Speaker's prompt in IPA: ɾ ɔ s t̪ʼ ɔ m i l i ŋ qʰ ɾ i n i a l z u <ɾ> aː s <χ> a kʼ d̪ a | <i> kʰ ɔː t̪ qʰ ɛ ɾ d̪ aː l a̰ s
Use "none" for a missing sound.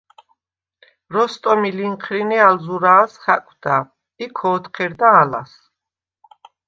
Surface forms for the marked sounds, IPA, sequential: ɾ, χ, i

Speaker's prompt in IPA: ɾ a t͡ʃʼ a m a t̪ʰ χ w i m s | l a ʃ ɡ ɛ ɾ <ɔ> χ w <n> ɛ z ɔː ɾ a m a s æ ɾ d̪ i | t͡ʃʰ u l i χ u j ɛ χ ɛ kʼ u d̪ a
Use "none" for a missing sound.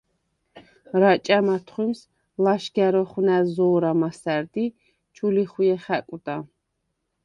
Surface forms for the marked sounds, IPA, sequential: ɔ, n

